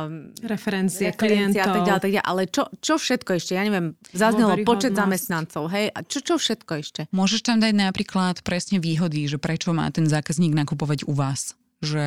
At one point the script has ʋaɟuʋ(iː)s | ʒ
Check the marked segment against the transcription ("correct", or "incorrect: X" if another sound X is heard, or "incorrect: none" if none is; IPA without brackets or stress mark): incorrect: aː